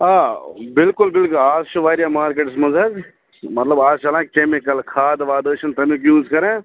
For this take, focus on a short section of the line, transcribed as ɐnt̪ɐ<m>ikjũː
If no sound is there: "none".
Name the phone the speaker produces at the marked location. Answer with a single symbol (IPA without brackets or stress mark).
m